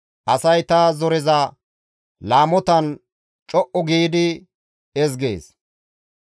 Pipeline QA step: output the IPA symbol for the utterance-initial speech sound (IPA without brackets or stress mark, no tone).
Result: ʔ